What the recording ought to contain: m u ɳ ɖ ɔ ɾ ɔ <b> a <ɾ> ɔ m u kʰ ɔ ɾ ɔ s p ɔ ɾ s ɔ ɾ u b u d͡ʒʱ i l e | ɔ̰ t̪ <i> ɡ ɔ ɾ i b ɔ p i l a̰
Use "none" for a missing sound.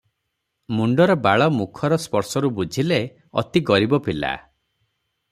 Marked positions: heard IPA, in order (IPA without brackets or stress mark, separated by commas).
b, ɭ, i